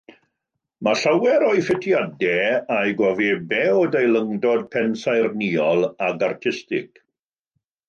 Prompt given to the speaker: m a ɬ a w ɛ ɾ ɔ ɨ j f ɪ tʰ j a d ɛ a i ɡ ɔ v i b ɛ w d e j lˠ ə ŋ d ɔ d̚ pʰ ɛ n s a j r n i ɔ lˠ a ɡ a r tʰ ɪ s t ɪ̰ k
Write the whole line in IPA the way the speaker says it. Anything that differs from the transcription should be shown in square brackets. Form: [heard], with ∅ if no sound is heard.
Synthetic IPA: m a ɬ a w ɛ ɾ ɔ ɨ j f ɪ tʰ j a d ɛ a [j] ɡ ɔ v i b ɛ w d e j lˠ ə ŋ d ɔ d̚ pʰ ɛ n s a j r n i ɔ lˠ a ɡ a r tʰ ɪ s t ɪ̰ k